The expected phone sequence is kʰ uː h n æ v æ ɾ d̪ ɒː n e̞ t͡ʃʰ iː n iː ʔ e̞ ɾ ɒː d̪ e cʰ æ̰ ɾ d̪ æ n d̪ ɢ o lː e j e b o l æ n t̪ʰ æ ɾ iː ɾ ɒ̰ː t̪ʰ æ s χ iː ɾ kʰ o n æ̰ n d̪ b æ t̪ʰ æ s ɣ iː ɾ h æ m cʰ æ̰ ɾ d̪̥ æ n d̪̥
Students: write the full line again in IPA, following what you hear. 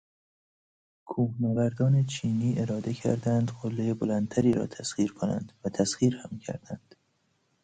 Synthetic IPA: kʰ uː h n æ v æ ɾ d̪ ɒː n e̞ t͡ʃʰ iː n iː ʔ e̞ ɾ ɒː d̪ e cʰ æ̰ ɾ d̪ æ n d̪ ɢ o lː e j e b o l æ n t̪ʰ æ ɾ iː ɾ ɒ̰ː t̪ʰ æ s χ iː ɾ kʰ o n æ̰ n d̪ v æ t̪ʰ æ s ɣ iː ɾ h æ m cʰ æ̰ ɾ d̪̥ æ n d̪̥